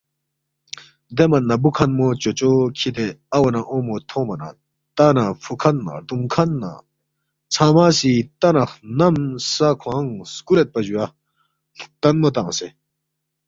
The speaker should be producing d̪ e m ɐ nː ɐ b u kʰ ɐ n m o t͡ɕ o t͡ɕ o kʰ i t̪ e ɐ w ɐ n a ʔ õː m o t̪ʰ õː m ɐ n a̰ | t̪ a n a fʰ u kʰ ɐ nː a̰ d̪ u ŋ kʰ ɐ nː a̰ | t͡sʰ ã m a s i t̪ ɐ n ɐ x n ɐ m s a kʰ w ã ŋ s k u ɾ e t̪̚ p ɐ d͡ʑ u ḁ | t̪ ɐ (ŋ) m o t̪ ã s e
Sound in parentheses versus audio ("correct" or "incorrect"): incorrect